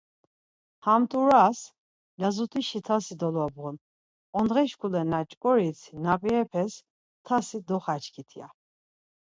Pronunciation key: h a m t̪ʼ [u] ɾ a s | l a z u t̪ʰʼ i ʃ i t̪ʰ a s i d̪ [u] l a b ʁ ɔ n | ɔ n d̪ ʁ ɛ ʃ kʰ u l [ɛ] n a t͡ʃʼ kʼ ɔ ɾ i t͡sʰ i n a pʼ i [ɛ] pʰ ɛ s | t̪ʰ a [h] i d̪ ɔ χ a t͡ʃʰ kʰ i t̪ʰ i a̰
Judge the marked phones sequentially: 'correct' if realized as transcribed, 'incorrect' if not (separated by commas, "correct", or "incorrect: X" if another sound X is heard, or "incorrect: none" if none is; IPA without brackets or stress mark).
correct, incorrect: ɔ, correct, correct, incorrect: s